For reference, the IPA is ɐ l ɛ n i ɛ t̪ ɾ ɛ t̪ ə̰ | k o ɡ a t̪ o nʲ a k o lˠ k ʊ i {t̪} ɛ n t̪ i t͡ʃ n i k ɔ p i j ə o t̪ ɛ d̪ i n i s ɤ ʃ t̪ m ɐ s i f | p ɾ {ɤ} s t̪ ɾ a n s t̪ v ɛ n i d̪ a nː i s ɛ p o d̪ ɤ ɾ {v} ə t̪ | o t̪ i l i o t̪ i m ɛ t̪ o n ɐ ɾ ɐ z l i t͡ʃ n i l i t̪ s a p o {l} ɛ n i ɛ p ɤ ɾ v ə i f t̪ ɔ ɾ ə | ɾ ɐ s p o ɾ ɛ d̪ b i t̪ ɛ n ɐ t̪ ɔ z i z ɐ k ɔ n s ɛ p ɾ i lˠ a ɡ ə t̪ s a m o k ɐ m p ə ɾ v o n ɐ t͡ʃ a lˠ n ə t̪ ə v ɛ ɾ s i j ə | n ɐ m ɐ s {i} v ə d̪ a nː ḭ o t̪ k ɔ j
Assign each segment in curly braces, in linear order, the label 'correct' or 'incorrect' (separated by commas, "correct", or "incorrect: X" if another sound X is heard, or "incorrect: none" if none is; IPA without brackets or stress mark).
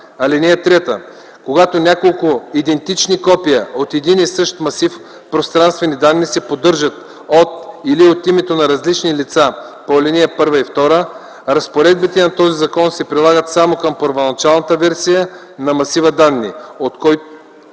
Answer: incorrect: d̪, incorrect: o, incorrect: ʒ, correct, correct